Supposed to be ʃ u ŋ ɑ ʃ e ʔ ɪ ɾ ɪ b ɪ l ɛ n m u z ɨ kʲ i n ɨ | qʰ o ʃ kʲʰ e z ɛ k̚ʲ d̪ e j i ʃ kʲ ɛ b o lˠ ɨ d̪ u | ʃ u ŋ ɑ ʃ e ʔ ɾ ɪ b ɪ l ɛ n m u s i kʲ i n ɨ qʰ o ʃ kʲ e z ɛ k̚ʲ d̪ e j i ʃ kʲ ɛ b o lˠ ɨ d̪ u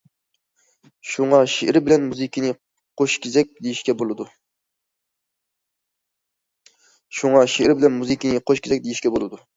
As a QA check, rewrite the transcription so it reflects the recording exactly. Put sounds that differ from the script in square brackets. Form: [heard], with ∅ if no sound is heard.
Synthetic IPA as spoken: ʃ u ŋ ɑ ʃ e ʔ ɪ ɾ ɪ b ɪ l ɛ n m u z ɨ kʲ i n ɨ | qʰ o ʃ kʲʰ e z ɛ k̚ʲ d̪ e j i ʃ kʲ ɛ b o lˠ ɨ d̪ u | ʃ u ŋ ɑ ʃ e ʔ ɾ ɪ b ɪ l ɛ n m u [z] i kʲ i n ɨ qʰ o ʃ kʲ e z ɛ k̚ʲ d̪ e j i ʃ kʲ ɛ b o lˠ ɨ d̪ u